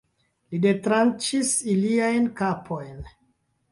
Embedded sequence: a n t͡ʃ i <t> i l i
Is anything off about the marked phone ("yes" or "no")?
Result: yes